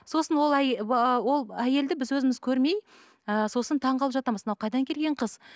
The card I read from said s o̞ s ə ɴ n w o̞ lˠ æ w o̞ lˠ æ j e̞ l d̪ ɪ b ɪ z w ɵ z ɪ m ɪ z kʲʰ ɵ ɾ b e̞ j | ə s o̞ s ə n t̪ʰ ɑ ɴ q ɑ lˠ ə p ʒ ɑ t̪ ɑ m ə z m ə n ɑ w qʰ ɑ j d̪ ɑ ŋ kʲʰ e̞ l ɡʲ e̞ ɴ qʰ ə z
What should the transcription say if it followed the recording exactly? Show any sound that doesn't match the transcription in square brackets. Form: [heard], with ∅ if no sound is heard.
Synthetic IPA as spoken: s o̞ s ə [∅] n w o̞ lˠ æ w o̞ lˠ æ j e̞ l d̪ ɪ b ɪ z w ɵ z ɪ m ɪ z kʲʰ ɵ ɾ [m] e̞ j | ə s o̞ s ə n t̪ʰ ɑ ɴ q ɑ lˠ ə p ʒ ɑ t̪ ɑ m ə z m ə n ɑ w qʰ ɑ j d̪ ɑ ŋ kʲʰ e̞ l ɡʲ e̞ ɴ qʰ ə z